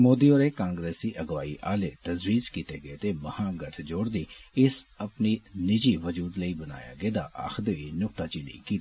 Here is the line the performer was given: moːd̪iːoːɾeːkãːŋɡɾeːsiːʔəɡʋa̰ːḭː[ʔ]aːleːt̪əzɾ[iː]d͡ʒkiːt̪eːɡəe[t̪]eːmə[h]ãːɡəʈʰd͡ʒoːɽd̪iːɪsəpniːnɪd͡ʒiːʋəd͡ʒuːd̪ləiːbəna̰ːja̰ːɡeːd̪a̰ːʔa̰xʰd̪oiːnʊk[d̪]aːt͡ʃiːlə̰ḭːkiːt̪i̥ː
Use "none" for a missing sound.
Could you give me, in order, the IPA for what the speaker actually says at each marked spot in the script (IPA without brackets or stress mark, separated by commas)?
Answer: ʔ, iː, t̪, h, t̪